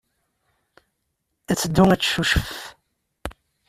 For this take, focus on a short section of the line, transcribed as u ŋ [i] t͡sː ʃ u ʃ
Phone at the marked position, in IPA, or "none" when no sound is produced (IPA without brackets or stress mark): æ